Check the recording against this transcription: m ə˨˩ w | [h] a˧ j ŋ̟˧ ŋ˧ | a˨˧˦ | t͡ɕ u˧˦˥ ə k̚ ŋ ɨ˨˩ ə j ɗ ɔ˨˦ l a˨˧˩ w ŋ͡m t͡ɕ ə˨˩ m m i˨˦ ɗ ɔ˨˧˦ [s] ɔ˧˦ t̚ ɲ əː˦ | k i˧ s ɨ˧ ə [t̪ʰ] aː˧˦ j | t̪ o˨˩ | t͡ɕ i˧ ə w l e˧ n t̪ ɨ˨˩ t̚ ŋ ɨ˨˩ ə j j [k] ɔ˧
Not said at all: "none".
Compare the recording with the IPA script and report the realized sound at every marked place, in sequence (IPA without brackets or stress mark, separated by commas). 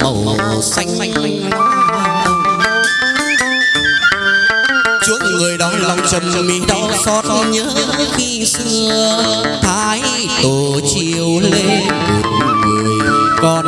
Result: s, s, t̪ʰ, k